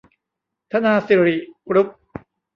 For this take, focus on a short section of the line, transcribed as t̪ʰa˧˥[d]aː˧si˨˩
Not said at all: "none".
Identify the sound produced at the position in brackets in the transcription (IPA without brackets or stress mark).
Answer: n